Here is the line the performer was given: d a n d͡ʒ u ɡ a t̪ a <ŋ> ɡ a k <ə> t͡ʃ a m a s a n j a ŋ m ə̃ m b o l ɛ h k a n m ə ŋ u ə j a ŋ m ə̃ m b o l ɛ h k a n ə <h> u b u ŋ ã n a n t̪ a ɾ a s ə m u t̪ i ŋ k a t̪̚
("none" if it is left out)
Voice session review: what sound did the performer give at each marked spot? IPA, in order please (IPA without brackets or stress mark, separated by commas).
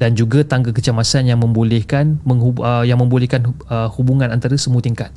ŋ, ə, h